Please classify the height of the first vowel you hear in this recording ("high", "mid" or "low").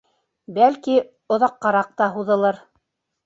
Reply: low